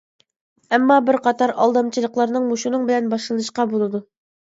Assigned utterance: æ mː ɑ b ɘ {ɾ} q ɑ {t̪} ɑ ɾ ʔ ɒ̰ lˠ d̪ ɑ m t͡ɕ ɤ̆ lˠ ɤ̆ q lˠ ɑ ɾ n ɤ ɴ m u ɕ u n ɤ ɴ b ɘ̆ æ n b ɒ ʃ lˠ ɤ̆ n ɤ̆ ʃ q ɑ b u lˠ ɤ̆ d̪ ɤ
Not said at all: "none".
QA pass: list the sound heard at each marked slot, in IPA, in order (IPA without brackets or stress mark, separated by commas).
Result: ɾ, t̪